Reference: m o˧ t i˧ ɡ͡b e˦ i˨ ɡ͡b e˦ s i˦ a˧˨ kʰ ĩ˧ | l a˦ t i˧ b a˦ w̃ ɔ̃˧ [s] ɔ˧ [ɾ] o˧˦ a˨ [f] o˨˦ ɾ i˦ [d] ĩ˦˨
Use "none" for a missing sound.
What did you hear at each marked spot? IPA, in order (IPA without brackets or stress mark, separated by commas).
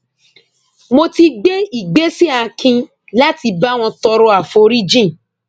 t, ɾ, f, d͡ʒ